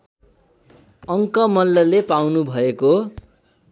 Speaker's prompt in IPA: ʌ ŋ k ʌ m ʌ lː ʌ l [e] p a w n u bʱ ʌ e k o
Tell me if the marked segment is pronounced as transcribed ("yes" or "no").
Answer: yes